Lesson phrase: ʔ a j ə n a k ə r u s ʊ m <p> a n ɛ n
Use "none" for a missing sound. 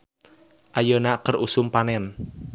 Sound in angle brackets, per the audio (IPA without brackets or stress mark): p